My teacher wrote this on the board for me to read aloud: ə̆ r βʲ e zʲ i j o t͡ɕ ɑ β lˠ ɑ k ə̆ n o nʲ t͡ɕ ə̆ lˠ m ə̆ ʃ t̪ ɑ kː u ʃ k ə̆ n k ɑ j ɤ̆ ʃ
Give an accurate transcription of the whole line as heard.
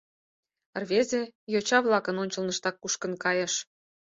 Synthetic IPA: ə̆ r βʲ e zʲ e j o t͡ɕ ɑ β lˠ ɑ k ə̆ n o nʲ t͡ɕ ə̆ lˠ n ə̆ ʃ t̪ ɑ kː u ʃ k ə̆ n k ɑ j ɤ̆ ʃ